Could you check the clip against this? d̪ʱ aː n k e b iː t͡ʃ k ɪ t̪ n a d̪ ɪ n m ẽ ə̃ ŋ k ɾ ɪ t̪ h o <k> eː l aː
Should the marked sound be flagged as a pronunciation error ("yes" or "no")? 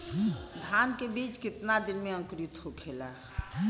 yes